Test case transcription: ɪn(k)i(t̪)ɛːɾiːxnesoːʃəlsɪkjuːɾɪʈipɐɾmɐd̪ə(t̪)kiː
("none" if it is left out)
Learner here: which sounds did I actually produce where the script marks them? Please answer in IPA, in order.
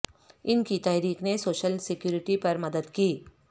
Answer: k, t̪, d̪

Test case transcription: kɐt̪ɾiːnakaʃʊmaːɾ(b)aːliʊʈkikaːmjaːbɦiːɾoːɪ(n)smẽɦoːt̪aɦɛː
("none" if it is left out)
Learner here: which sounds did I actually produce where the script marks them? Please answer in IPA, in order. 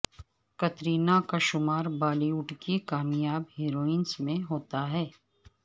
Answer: b, n

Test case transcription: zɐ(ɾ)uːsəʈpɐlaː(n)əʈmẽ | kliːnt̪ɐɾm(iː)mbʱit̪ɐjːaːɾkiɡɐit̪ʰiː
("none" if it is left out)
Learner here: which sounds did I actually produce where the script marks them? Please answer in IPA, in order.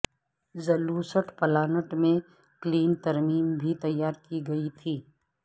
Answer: l, n, iː

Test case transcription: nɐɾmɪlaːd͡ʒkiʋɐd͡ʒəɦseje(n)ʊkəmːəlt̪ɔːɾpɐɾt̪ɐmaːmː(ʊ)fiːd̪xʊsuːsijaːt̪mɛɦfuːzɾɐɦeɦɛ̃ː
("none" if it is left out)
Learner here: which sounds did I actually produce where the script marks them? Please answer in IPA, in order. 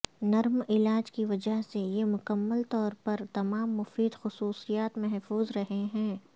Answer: m, ʊ

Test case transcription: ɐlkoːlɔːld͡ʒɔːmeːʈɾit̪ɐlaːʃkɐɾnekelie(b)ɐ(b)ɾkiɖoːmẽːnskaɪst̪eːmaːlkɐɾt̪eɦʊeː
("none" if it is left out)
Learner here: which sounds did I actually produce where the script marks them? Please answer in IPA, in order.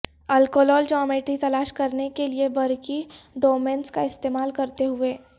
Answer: b, none

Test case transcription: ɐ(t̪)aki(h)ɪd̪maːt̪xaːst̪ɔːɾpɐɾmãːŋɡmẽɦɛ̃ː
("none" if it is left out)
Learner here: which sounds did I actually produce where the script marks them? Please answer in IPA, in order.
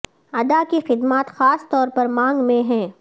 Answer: d̪, x

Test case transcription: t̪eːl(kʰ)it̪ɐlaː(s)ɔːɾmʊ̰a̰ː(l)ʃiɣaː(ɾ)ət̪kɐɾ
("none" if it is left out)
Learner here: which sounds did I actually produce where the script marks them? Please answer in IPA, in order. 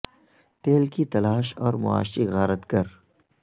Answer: k, ʃ, none, ɾ

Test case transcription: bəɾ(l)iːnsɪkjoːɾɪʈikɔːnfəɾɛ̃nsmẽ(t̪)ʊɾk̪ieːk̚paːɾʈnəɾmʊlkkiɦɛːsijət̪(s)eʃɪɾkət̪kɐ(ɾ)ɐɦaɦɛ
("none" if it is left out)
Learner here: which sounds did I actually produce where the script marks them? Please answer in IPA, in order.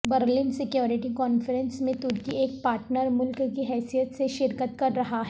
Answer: l, t̪, s, ɾː

